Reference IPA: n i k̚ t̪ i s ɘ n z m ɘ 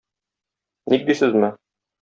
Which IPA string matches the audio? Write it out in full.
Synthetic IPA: n i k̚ d̪ i s ɘ z m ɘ